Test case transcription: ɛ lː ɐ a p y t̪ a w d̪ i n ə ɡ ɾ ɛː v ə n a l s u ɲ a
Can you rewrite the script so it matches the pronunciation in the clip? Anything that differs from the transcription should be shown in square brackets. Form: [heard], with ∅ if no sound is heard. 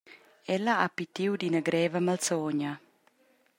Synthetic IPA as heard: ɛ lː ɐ a p [i] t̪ [i] w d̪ i n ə ɡ ɾ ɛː v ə [m] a l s [ɔ] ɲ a